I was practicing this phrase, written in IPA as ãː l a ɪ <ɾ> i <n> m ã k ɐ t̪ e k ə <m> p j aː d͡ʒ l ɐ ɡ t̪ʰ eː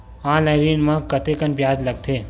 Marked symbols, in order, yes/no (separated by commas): yes, yes, no